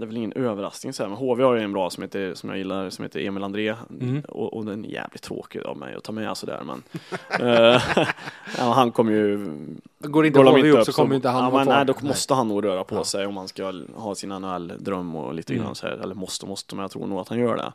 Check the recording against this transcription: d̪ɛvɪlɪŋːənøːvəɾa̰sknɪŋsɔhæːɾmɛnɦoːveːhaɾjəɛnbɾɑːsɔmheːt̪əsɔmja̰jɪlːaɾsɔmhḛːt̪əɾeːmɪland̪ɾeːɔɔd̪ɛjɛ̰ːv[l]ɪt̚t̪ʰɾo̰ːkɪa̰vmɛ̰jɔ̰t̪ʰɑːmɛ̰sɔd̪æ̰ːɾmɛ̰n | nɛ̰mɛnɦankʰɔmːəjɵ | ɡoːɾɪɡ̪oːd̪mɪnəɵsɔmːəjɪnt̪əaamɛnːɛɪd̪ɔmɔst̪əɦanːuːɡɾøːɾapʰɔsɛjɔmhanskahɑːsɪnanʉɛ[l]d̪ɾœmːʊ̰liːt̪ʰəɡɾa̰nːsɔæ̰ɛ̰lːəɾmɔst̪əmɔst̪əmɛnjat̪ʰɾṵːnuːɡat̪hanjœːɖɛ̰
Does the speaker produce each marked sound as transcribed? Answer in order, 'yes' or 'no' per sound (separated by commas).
yes, no